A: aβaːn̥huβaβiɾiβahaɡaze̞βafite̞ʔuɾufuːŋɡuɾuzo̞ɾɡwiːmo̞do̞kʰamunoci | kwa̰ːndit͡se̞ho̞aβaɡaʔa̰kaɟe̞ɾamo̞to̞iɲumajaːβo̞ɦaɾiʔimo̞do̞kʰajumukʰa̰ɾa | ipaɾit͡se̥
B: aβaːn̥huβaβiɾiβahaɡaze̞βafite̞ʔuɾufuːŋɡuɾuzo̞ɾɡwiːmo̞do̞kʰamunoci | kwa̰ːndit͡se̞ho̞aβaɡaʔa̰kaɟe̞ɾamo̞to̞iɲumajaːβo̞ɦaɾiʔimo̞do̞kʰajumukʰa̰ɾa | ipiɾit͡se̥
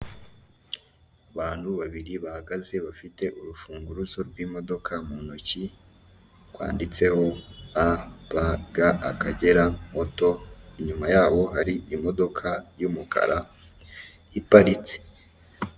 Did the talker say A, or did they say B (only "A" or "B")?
A